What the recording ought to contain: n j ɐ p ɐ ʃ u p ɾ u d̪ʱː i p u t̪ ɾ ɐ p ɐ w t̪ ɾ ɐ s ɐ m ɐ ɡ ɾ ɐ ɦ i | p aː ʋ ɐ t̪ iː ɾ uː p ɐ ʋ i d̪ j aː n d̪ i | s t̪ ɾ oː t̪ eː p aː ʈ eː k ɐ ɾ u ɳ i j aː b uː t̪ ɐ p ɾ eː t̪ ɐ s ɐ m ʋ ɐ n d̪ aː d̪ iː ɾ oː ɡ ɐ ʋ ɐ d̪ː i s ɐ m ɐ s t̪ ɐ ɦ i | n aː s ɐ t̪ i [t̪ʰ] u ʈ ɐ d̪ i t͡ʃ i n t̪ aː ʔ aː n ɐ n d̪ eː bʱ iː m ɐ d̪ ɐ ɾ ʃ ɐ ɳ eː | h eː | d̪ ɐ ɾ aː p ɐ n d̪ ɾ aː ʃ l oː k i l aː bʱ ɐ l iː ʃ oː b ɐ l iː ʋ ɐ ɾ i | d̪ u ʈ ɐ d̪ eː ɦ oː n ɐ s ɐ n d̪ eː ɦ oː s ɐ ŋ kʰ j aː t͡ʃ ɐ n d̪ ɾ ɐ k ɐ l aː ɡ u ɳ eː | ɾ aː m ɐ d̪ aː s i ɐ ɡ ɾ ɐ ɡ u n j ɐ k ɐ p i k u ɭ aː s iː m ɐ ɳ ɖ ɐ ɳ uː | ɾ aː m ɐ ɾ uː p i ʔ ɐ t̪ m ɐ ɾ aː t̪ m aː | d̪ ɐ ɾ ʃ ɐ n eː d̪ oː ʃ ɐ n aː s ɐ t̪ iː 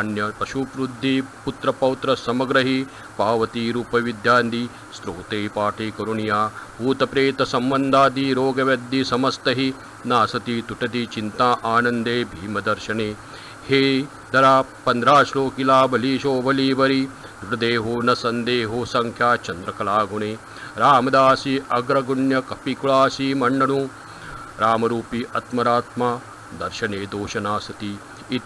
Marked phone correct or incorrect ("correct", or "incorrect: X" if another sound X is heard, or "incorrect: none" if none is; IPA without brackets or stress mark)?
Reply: incorrect: t̪